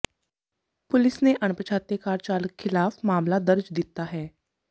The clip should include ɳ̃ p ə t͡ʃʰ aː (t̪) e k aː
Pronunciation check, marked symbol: correct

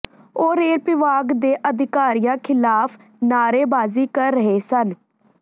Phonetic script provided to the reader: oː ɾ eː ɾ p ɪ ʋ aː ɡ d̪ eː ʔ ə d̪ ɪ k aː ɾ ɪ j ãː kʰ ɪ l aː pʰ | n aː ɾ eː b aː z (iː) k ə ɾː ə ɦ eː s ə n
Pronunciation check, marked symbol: correct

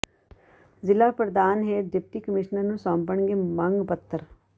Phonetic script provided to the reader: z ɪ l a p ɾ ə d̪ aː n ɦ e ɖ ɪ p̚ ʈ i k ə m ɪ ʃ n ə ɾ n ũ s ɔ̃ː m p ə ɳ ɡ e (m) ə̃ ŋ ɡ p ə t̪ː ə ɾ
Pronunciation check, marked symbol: correct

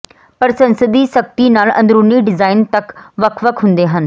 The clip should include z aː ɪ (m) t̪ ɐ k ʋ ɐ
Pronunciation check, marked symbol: incorrect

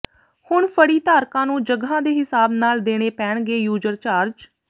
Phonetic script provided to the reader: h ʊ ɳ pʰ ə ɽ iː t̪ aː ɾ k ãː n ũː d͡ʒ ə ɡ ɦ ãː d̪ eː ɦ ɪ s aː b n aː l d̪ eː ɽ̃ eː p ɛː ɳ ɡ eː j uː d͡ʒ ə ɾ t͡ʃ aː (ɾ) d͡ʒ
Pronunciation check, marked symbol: correct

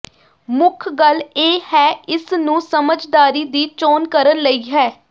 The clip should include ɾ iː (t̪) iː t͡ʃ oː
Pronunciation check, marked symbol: incorrect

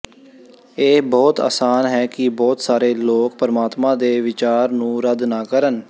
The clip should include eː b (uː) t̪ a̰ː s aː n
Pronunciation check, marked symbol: incorrect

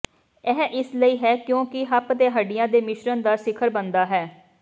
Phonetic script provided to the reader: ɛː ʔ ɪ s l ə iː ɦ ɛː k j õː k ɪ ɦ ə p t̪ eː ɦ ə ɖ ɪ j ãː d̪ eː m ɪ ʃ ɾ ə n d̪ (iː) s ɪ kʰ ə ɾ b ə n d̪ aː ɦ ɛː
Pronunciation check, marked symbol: incorrect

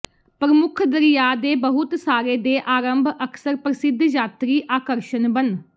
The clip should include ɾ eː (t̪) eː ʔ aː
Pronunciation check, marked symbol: incorrect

